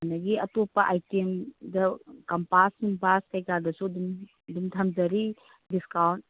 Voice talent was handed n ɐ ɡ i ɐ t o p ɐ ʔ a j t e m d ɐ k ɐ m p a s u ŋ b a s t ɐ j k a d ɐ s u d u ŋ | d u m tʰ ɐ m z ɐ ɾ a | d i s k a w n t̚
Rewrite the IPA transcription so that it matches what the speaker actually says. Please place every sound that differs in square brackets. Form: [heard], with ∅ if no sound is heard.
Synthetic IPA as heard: n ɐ ɡ i ɐ t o p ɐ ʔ a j t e m d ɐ k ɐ m p a s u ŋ b a s [k] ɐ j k a d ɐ s u d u [m] | d u m tʰ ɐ m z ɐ ɾ [i] | d i s k a w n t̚

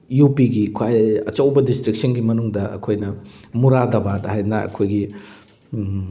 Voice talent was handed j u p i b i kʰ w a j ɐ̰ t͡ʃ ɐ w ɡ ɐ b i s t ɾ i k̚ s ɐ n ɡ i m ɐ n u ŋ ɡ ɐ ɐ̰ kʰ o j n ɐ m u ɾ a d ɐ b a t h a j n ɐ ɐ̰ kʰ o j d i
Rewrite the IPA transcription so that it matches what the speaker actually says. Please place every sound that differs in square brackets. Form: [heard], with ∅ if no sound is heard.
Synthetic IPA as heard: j u p i [ɡ] i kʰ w a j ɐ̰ t͡ʃ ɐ w [b] ɐ [d] i s t ɾ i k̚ s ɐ n ɡ i m ɐ n u ŋ [d] ɐ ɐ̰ kʰ o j n ɐ m u ɾ a d ɐ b a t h a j n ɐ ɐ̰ kʰ o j [ɡ] i

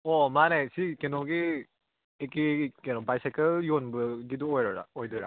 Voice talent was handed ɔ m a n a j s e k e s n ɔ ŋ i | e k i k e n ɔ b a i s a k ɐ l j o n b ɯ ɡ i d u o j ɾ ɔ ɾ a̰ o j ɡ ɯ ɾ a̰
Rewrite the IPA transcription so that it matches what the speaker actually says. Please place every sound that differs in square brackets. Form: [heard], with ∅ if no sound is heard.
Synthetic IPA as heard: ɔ m a n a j s [i] k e [∅] n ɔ [ɡ] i | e k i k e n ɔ b a [j] s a k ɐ l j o n b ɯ ɡ i d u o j ɾ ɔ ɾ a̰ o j [d] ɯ ɾ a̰

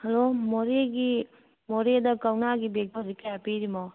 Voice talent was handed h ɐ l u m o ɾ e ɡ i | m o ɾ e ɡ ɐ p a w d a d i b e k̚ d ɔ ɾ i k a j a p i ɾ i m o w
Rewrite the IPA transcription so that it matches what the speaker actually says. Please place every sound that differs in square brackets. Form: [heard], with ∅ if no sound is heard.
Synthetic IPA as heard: h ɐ l [o] m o ɾ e ɡ i | m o ɾ e [d] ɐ [k] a w [n] a [ɡ] i b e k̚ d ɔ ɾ i k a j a p i ɾ i m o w

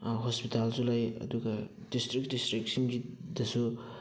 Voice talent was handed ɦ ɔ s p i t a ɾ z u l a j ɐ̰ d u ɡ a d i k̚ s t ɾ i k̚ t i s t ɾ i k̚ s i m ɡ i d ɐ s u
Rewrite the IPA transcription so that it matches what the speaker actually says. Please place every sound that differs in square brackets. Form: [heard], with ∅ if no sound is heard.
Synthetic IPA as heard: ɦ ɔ s p i t a [l] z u l a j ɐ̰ d u ɡ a d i [∅] s t ɾ i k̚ [d] i s t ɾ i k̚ s i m ɡ i d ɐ s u

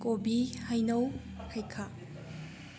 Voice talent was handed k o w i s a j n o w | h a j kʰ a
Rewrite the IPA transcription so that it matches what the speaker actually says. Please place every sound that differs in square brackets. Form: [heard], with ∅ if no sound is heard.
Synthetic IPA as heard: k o [b] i [h] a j n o w | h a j kʰ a

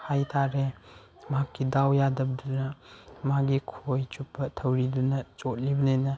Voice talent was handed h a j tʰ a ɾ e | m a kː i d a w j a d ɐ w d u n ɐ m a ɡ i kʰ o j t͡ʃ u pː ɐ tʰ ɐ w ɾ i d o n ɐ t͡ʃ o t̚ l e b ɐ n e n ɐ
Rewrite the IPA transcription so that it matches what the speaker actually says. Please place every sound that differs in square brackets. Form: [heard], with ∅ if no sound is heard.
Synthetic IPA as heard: h a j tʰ a ɾ e | m a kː i d a w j a d ɐ [b] d u n ɐ m a ɡ i kʰ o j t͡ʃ u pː ɐ tʰ ɐ w ɾ i d [u] n ɐ t͡ʃ o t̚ l [i] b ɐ n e n ɐ

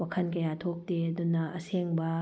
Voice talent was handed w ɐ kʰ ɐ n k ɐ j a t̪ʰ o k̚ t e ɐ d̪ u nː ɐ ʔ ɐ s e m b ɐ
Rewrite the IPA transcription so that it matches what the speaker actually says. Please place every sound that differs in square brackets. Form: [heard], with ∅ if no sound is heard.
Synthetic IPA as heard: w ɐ kʰ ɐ n k ɐ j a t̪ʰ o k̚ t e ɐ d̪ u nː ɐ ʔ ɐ s e [ŋ] b ɐ

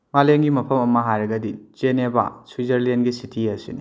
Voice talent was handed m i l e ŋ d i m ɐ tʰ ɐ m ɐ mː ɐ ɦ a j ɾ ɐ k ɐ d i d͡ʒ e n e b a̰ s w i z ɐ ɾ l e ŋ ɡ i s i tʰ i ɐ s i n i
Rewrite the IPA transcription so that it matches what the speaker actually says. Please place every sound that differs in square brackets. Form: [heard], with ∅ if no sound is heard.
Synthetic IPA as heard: m [a] l e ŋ [ɡ] i m ɐ [pʰ] ɐ m ɐ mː ɐ ɦ a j ɾ ɐ [ɡ] ɐ d i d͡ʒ e n e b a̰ s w i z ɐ ɾ l e [n] ɡ i s i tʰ i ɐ s i n i

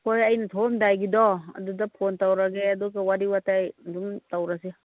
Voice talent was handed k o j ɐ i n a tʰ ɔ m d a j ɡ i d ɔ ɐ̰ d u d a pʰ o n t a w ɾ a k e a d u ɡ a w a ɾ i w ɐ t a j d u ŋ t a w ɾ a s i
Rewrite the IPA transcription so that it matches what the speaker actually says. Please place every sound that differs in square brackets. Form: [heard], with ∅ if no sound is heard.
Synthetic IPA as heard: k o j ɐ [j] n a tʰ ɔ m d a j ɡ i d ɔ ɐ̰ d u d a pʰ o n t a w ɾ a [ɡ] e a d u ɡ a w a ɾ i w [a] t a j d u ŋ t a w ɾ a s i

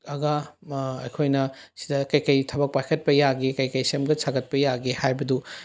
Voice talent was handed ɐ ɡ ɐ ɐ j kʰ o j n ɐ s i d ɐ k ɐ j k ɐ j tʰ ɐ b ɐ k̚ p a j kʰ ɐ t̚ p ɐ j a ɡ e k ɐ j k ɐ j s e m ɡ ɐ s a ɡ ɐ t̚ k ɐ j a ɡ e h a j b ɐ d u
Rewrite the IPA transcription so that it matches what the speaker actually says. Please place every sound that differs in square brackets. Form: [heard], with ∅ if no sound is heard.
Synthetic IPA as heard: ɐ ɡ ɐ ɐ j kʰ o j n ɐ s i d ɐ k ɐ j k ɐ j tʰ ɐ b ɐ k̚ p a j kʰ ɐ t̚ p ɐ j a ɡ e k ɐ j k ɐ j s e m ɡ ɐ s a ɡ ɐ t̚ [p] ɐ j a ɡ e h a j b ɐ d u

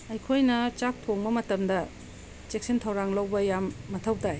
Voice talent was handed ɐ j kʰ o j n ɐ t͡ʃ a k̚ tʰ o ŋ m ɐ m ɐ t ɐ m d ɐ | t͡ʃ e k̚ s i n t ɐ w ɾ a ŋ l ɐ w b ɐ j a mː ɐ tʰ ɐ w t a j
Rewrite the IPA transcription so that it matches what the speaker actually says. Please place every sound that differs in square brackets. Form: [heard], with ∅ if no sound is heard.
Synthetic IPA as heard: ɐ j kʰ o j n ɐ t͡ʃ a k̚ tʰ o ŋ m ɐ m ɐ t ɐ m d ɐ | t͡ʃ e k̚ s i n [tʰ] ɐ w ɾ a ŋ l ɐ w b ɐ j a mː ɐ tʰ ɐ w t a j

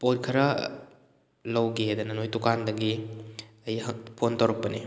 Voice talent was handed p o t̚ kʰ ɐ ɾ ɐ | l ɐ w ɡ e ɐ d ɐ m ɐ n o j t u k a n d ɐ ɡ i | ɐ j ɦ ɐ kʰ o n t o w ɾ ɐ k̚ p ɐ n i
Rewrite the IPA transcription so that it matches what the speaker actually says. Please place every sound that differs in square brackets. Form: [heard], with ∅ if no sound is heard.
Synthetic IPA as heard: p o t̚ kʰ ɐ ɾ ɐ | l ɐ w ɡ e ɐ d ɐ [n] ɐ n o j t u k a n d ɐ ɡ i | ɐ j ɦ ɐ [pʰ] o n t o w ɾ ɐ k̚ p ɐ n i

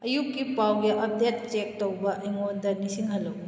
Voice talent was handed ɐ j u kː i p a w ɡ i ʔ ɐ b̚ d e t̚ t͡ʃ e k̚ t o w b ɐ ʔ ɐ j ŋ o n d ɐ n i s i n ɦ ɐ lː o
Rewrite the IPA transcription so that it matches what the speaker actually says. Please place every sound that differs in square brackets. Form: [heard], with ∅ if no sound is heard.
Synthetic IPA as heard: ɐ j u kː i p a w ɡ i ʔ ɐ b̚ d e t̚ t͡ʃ e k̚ t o w b ɐ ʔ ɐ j ŋ o n d ɐ n i s i [ŋ] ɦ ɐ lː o

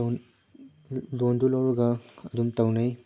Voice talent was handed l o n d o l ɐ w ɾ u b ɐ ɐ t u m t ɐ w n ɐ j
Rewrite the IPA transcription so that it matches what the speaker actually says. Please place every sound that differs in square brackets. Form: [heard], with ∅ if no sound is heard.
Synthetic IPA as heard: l o n d [u] l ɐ w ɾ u [ɡ] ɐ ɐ [d] u m t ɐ w n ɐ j

